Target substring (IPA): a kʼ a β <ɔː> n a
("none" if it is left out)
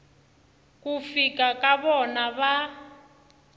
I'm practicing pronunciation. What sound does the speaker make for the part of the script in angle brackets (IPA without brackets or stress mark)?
ɔ